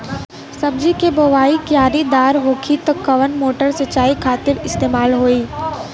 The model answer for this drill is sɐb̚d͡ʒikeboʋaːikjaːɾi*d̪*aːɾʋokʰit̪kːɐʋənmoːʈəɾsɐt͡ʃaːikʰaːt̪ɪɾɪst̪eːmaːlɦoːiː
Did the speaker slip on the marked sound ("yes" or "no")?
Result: no